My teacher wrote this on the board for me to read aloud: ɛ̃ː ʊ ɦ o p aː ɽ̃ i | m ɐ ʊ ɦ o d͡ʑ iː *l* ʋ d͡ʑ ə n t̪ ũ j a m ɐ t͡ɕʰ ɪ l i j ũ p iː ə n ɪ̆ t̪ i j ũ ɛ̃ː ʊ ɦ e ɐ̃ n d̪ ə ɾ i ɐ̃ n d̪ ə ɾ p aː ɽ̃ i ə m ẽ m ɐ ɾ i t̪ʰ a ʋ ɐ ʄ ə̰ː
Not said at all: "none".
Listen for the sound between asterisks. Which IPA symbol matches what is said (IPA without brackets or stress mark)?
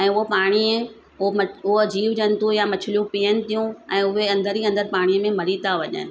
none